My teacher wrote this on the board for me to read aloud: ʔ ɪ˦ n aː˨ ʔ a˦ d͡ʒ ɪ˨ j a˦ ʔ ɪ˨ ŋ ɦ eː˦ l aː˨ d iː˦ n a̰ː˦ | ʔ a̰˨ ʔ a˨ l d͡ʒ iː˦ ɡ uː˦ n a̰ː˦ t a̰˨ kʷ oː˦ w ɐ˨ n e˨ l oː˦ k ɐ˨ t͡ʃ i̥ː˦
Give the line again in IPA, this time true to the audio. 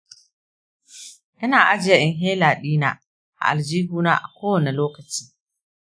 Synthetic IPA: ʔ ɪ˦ n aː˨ ʔ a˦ d͡ʒ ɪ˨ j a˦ ʔ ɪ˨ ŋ ɦ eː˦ l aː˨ ɗ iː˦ n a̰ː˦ | ʔ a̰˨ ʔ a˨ l d͡ʒ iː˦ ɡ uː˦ n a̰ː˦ ʔ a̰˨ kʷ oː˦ w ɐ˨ n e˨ l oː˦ k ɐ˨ t͡ʃ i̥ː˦